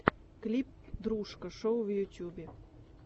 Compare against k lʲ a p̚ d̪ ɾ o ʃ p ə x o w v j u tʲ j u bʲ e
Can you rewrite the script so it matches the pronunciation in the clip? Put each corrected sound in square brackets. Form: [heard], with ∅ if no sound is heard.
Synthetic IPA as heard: k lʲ [i] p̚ d̪ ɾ [u] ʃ [k] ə [ʃ] o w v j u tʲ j u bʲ e